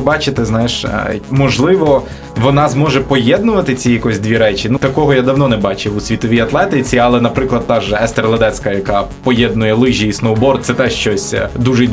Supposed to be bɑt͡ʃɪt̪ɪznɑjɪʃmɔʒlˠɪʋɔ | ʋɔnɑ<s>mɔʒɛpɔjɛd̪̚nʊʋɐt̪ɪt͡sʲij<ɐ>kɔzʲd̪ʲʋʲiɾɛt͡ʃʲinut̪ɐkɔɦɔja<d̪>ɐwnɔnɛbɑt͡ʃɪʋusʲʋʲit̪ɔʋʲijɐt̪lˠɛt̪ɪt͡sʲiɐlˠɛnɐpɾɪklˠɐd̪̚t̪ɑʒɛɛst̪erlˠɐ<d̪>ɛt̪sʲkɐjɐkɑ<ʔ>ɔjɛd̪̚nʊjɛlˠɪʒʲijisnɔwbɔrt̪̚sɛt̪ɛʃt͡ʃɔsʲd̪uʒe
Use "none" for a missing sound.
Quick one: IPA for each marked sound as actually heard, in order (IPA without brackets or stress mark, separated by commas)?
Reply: z, ɐ, d̪, d̪, p